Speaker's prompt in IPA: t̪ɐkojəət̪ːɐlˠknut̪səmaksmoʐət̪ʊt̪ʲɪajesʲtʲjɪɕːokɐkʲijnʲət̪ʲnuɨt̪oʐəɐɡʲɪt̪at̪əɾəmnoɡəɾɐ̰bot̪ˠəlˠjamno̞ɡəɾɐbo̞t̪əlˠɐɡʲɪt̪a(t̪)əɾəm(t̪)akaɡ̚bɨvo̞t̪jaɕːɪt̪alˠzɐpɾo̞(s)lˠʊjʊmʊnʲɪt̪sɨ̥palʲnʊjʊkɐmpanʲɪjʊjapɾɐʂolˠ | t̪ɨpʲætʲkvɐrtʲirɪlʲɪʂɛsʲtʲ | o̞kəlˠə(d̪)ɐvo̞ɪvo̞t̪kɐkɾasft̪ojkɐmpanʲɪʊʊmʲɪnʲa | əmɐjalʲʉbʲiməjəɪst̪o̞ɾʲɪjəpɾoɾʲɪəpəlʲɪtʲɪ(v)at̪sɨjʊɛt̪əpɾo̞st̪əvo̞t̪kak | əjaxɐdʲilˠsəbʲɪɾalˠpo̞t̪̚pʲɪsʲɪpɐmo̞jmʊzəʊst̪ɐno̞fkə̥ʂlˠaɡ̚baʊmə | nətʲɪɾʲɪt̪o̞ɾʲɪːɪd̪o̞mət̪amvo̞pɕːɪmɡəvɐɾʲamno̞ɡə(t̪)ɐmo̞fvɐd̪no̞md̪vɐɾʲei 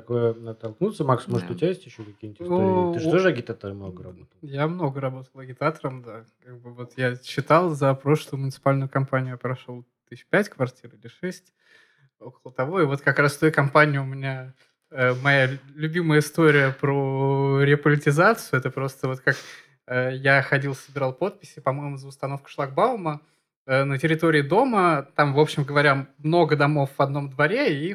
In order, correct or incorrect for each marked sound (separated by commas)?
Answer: correct, incorrect, incorrect, incorrect, incorrect, incorrect